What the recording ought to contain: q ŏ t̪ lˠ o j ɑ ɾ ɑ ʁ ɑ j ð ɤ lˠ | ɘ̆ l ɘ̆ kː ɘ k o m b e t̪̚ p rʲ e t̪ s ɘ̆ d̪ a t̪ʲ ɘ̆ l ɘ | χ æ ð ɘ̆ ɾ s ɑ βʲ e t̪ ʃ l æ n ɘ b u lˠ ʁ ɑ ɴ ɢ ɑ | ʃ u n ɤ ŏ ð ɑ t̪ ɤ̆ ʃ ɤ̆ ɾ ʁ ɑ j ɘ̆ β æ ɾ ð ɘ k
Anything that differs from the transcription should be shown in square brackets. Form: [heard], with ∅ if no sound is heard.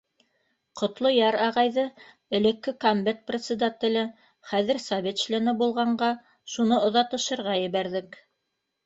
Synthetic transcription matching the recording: q ŏ t̪ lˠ o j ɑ ɾ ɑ ʁ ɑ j ð ɤ [∅] | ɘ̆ l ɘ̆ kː ɘ k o m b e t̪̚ p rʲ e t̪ s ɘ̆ d̪ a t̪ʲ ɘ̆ l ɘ | χ æ ð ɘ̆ ɾ s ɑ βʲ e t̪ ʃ l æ n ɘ b u lˠ ʁ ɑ ɴ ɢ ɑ | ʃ u n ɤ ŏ ð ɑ t̪ ɤ̆ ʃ ɤ̆ ɾ ʁ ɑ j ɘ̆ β æ ɾ ð ɘ k